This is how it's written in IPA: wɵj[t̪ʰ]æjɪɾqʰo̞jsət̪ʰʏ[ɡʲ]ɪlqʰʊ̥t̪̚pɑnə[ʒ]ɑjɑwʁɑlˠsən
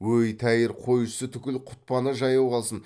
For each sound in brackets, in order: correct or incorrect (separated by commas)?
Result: correct, incorrect, correct